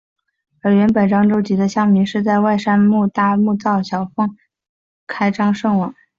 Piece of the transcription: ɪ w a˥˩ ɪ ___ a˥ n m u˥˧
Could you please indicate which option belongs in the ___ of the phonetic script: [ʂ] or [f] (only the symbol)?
ʂ